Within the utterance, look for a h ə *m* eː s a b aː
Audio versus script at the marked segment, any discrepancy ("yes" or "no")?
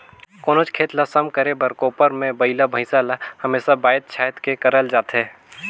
no